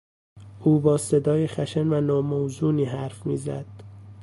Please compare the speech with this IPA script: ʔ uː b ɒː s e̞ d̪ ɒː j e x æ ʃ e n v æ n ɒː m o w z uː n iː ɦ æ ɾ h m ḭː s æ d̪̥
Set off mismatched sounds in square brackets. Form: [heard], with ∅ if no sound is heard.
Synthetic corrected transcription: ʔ uː b ɒː s e̞ d̪ ɒː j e x æ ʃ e n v æ n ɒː m o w z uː n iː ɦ æ ɾ [f] m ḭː [z] æ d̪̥

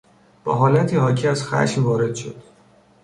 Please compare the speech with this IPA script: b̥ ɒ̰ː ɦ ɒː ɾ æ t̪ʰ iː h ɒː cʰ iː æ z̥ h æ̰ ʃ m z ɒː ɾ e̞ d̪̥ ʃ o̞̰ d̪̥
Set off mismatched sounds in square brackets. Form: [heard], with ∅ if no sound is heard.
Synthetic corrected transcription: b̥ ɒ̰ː ɦ ɒː [l] æ t̪ʰ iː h ɒː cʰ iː æ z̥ [x] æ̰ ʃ m [v] ɒː ɾ e̞ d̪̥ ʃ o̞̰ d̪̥

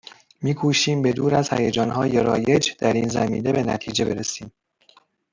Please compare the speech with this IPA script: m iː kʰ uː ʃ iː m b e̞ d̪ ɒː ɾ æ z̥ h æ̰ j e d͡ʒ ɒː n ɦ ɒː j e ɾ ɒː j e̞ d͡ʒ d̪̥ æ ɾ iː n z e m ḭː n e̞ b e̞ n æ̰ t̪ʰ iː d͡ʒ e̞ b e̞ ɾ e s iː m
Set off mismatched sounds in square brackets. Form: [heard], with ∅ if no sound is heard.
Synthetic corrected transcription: m iː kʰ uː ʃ iː m b e̞ d̪ [uː] ɾ æ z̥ h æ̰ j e d͡ʒ ɒː n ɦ ɒː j e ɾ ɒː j e̞ d͡ʒ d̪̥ æ ɾ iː n z [æ] m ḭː n e̞ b e̞ n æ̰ t̪ʰ iː d͡ʒ e̞ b e̞ ɾ e s iː m

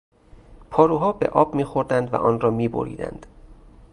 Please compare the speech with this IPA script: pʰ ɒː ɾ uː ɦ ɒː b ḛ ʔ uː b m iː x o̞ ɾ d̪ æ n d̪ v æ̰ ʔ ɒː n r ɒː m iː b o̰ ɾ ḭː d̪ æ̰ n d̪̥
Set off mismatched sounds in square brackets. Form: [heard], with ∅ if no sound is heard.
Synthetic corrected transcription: pʰ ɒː ɾ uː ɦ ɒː b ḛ ʔ [ɒː] b m iː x o̞ ɾ d̪ æ n d̪ v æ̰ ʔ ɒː n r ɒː m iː b o̰ ɾ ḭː d̪ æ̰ n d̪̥

